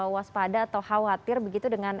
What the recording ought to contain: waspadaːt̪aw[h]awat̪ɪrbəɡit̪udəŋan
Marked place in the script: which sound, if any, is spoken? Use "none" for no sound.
h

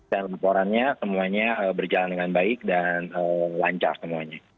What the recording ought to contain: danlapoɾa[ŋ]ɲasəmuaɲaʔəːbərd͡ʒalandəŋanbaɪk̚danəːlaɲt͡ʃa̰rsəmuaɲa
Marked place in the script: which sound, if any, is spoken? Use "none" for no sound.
n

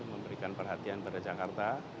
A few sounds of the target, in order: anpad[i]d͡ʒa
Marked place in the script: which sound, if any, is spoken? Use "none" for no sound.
a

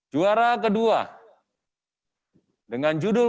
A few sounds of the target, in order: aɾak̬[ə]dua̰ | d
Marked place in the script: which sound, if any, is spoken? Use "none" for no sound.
ə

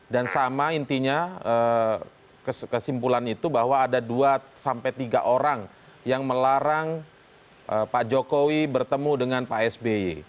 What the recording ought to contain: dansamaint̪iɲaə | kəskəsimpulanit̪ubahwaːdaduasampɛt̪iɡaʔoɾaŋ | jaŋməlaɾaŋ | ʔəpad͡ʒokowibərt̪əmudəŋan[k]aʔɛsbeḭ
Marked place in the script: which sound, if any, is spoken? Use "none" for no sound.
p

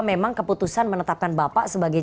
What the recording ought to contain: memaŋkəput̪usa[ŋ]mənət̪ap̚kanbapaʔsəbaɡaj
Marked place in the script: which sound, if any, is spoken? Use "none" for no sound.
n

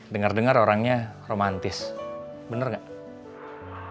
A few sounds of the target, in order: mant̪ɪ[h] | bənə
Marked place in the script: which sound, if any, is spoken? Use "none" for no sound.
s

